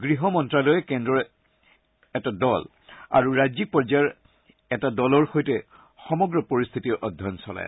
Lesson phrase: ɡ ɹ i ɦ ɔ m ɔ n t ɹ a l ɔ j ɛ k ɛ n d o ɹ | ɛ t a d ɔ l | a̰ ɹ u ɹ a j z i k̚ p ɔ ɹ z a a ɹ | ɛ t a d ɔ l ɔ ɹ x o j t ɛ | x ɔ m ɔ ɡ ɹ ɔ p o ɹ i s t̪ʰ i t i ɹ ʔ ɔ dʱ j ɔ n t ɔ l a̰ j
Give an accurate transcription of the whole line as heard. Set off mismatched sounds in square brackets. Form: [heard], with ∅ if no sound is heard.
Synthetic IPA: ɡ ɹ i ɦ ɔ m ɔ n t ɹ a l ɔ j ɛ k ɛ n d [ɔ] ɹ | ɛ t a d ɔ l | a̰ ɹ u ɹ a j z i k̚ p ɔ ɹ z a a ɹ | ɛ t a d ɔ l ɔ ɹ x o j t ɛ | x ɔ m ɔ ɡ ɹ ɔ p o ɹ i s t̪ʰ i t i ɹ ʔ ɔ dʱ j ɔ n [s] ɔ l a̰ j

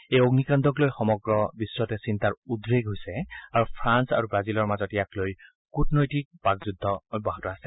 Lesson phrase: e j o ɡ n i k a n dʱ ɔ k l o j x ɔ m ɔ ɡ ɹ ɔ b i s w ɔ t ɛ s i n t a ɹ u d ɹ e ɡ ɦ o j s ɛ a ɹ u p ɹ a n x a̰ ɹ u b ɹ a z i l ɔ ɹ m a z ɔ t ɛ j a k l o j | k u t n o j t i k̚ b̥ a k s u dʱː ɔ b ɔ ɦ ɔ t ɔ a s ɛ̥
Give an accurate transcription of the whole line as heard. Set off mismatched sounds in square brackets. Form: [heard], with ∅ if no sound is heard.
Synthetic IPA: e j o ɡ n i k a n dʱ ɔ k l o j x ɔ m ɔ ɡ ɹ ɔ b i s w ɔ t ɛ s i n t a ɹ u d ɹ e ɡ ɦ o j s ɛ a ɹ u [pʰ] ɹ a n [s] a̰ ɹ u b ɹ a z i l ɔ ɹ m a z ɔ t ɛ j a k l o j | k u t n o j t i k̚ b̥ a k [z] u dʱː ɔ b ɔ ɦ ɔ t ɔ a s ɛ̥

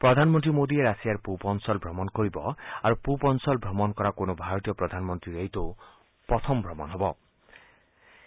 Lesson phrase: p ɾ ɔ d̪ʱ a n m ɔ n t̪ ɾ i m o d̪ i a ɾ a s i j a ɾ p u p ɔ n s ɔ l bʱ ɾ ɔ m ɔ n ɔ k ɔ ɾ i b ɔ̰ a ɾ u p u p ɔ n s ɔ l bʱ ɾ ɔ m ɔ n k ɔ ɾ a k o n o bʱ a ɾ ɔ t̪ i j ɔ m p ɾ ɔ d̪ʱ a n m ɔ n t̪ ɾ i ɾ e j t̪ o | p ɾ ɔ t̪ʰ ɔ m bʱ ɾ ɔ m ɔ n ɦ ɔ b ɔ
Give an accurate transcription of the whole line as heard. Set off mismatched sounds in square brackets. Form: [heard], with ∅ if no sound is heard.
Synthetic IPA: p ɾ ɔ d̪ʱ a n m ɔ n t̪ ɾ i m o d̪ i [e] ɾ a s i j a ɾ p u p ɔ n s ɔ l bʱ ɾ ɔ m ɔ n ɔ k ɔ ɾ i b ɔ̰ a ɾ u p u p ɔ n s ɔ l bʱ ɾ ɔ m ɔ n k ɔ ɾ a k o n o bʱ a ɾ ɔ t̪ i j ɔ [∅] p ɾ ɔ d̪ʱ a n m ɔ n t̪ ɾ i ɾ e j t̪ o | p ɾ ɔ t̪ʰ ɔ m bʱ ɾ ɔ m ɔ n ɦ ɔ b ɔ

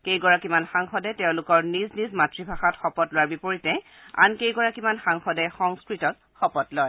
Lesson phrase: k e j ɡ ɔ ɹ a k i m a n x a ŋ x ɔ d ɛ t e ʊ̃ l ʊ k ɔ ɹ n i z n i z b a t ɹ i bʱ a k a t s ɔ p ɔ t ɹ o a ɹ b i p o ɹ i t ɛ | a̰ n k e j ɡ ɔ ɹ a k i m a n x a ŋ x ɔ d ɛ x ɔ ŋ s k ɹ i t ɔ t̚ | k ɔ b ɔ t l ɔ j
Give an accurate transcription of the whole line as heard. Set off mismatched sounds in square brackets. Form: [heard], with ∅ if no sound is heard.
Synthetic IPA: k e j ɡ ɔ ɹ a k i m a n x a ŋ x ɔ d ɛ t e ʊ̃ l ʊ k ɔ ɹ n i z n i z [m] a t ɹ i bʱ a [x] a t [x] ɔ p ɔ t [l] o a ɹ b i p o ɹ i t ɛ | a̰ n k e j ɡ ɔ ɹ a k i m a n x a ŋ x ɔ d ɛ x ɔ ŋ s k ɹ i t ɔ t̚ | [x] ɔ [p] ɔ t l ɔ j

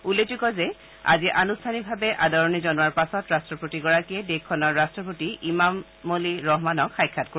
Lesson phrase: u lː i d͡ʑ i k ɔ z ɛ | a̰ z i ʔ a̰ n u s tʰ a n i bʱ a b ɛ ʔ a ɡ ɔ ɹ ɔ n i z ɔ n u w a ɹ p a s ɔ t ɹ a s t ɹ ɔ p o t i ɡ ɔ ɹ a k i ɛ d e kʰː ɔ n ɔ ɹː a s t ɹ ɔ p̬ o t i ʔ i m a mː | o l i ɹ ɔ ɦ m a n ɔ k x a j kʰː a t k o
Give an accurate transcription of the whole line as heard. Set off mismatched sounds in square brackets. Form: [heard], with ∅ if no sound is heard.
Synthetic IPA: u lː [e] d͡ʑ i k ɔ z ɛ | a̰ z i ʔ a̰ n u s tʰ a n i bʱ a b ɛ ʔ a [d] ɔ ɹ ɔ n i z ɔ n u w a ɹ p a s ɔ t ɹ a s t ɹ ɔ p o t i ɡ ɔ ɹ a k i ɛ d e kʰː ɔ n ɔ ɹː a s t ɹ ɔ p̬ o t i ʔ i m a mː | o l i ɹ ɔ ɦ m a n ɔ k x a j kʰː a t k o

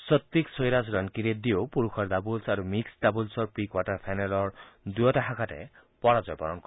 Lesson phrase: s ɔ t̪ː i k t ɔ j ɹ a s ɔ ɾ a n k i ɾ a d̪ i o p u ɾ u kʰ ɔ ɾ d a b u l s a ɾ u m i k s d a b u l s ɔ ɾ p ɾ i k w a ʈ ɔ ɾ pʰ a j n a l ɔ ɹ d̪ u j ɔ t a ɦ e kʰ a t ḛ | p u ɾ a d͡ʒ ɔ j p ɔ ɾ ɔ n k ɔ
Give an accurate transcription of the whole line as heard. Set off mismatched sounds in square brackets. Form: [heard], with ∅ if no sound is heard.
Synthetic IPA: s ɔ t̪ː i k [s] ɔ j [ɾ] a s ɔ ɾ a n k i ɾ [e] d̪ i o p u ɾ u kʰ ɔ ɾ d a b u l s a ɾ u m i k s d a b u l s ɔ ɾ p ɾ i k w a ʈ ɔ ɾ pʰ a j n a l ɔ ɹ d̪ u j ɔ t a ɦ [a] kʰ a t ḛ | p [ɔ] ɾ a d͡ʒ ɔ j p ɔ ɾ ɔ n k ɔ

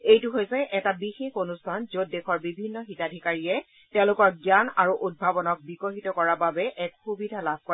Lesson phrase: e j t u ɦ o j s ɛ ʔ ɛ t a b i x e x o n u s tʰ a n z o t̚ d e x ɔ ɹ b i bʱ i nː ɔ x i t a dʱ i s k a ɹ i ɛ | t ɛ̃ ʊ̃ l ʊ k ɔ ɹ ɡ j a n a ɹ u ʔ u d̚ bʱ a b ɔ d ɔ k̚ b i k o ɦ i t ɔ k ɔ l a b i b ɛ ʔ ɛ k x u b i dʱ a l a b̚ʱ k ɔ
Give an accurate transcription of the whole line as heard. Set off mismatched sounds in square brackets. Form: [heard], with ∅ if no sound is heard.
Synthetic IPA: e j t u ɦ o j s ɛ ʔ ɛ t a b i x e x o n u s tʰ a n z o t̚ d e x ɔ ɹ b i bʱ i nː ɔ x i t a dʱ i [∅] k a ɹ i ɛ | t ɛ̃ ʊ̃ l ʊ k ɔ ɹ ɡ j a n a ɹ u ʔ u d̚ bʱ a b ɔ [n] ɔ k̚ b i k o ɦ i t ɔ k ɔ [ɹ] a b [a] b ɛ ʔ ɛ k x u b i dʱ a l a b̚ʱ k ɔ

